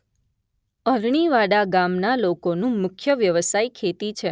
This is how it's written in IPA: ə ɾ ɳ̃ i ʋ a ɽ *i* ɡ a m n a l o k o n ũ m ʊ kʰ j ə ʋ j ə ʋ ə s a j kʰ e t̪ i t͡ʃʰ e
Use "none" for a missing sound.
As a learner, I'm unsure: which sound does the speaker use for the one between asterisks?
a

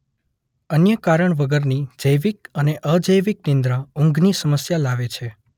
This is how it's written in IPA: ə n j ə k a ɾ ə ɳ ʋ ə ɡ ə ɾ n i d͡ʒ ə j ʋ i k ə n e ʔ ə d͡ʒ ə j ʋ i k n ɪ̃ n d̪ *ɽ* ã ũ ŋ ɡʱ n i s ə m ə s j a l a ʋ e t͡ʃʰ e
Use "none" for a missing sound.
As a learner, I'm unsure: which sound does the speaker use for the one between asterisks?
ɾ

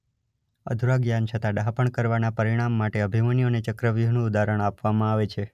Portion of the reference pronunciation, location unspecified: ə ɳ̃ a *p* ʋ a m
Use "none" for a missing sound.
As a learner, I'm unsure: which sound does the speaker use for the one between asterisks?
p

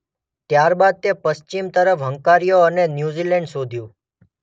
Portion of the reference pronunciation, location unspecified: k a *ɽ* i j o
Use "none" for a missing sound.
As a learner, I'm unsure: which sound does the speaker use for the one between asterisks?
ɾ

